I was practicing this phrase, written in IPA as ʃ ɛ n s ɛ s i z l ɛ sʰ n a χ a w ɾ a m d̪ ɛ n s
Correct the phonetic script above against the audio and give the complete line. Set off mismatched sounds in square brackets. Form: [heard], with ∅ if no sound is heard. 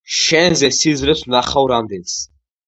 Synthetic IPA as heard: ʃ ɛ n [z] ɛ s i z [ɾ] ɛ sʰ n a χ a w ɾ a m d̪ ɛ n s